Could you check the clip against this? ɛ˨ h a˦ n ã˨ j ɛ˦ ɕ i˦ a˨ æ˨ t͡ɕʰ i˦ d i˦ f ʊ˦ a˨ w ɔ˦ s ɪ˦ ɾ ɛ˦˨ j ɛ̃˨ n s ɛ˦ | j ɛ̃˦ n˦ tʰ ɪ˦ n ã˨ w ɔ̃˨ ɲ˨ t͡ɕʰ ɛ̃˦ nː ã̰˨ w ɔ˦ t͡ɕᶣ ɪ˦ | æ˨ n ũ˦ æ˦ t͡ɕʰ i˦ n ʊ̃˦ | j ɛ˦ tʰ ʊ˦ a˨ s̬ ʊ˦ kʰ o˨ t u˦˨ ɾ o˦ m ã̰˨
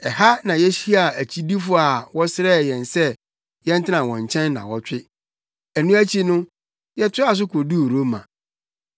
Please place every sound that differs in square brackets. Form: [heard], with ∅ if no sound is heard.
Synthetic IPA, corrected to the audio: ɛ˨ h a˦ n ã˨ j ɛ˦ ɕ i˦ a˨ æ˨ t͡ɕʰ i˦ d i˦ f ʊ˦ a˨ w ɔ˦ s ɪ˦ ɾ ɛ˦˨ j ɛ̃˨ n s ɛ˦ | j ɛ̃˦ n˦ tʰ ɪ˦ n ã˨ w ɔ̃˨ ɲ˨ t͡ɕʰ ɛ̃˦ nː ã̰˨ w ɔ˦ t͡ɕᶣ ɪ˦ | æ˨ n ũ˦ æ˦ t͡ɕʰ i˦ n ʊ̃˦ | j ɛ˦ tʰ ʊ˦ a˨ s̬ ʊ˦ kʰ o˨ [d] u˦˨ ɾ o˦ m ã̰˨